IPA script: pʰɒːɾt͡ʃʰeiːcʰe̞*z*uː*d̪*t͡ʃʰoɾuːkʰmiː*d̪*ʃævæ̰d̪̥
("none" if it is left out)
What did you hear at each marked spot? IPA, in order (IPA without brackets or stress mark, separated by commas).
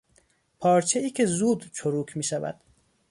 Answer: z, d̪, none